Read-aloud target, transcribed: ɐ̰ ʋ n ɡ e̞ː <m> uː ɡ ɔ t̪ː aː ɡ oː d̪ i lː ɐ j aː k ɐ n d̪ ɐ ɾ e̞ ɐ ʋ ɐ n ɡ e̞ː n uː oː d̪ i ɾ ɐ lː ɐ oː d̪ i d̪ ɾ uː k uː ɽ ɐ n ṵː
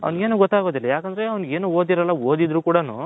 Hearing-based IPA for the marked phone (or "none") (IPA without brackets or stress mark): n